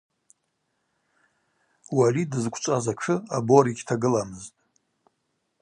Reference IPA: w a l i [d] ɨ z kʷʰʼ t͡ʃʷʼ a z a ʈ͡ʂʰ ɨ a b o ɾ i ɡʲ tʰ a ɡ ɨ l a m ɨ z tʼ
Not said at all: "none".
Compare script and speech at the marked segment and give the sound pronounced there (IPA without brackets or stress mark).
d